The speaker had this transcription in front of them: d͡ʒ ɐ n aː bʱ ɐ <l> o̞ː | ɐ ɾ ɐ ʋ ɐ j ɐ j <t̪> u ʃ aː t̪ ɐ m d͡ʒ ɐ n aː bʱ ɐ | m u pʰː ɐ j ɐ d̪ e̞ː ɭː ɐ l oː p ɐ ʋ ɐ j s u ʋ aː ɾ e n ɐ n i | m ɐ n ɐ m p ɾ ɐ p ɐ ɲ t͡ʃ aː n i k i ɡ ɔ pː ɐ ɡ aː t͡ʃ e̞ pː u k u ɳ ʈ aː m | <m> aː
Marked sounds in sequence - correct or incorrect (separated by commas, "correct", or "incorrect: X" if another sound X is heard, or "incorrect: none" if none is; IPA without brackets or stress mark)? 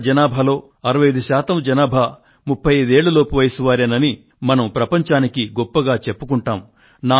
correct, incorrect: d̪, incorrect: n